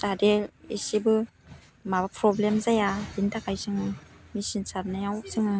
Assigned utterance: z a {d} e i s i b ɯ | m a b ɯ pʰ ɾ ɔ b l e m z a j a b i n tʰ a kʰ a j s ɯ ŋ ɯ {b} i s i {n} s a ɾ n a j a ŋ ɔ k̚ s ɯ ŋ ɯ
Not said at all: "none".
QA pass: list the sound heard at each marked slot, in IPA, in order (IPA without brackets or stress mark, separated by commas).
d, m, n